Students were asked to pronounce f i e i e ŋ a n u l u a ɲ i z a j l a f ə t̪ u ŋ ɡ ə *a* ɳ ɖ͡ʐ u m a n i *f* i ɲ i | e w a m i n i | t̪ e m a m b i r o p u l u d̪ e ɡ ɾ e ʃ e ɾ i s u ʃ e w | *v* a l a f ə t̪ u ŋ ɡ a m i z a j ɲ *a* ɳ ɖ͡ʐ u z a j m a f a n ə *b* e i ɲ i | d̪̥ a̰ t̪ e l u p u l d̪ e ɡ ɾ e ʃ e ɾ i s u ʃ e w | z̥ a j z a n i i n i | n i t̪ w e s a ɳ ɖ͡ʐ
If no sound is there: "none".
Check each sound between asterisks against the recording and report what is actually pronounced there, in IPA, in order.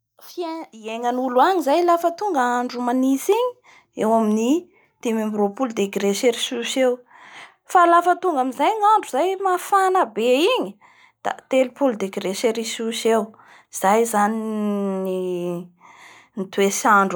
a, s, f, a, b

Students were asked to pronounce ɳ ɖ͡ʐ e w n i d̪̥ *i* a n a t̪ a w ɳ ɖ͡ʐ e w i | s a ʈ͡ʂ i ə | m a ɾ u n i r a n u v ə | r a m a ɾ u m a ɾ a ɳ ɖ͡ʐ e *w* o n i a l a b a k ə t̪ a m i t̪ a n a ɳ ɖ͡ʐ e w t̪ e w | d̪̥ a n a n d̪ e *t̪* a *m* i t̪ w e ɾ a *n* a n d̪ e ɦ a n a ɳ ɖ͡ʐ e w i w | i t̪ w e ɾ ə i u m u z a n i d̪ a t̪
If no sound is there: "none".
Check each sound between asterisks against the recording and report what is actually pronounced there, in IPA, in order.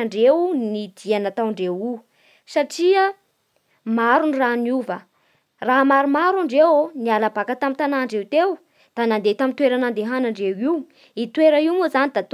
i, w, t̪, m, n

